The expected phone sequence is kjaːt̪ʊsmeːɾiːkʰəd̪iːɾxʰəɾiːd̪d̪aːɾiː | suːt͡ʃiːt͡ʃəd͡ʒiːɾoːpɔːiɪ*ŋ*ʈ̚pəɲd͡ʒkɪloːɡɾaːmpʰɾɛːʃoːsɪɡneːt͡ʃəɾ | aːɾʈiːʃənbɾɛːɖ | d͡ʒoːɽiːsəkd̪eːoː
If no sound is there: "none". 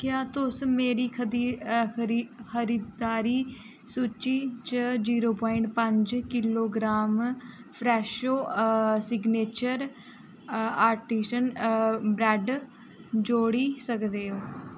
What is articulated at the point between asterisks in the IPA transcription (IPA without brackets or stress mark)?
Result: ɳ